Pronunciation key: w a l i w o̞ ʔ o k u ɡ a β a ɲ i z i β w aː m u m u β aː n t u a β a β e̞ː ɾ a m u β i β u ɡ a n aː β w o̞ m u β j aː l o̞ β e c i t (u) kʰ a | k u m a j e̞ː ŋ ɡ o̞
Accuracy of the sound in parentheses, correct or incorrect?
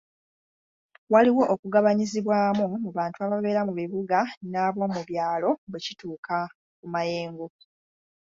incorrect